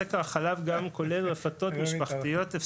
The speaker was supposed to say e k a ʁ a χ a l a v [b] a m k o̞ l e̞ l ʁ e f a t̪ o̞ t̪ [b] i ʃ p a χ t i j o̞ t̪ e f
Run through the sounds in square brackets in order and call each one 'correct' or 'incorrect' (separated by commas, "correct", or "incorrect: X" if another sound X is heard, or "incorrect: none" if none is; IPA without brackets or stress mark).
incorrect: ɡ, incorrect: m